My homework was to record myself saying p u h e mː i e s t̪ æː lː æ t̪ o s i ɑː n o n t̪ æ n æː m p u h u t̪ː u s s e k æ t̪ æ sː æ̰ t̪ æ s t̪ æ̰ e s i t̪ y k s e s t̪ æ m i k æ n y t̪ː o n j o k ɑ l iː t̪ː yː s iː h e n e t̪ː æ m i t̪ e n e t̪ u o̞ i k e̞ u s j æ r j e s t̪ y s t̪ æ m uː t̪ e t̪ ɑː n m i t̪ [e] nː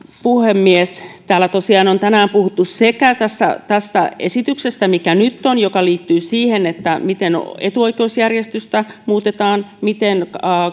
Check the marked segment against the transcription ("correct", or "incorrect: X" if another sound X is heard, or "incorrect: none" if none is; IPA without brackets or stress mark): correct